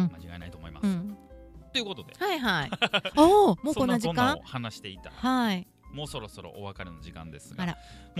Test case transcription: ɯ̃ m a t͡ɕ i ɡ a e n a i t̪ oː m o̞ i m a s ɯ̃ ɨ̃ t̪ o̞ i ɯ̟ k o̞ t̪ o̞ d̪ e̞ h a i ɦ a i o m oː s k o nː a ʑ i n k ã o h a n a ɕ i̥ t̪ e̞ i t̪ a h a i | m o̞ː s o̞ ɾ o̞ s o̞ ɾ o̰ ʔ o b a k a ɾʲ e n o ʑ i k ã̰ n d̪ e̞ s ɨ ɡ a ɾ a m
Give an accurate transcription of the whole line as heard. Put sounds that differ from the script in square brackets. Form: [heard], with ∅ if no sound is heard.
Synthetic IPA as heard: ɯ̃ m a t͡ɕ i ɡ a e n a i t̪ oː m o̞ i m a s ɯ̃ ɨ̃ t̪ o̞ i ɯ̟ k o̞ t̪ o̞ d̪ e̞ h a i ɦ a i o m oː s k o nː a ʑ i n k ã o h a n a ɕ i̥ t̪ e̞ i t̪ a h a i | m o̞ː s o̞ ɾ o̞ s o̞ ɾ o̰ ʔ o [β] a k a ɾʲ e n o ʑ i k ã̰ n d̪ e̞ s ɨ ɡ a ɾ a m